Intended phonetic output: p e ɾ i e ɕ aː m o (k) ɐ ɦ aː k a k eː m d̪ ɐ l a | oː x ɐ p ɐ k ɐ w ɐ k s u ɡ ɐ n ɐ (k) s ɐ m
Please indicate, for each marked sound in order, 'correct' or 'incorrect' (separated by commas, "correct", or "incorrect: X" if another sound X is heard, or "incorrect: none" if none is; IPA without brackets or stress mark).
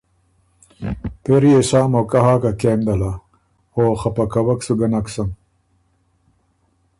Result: correct, correct